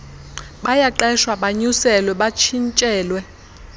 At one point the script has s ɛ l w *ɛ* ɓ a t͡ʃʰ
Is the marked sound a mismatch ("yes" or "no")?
no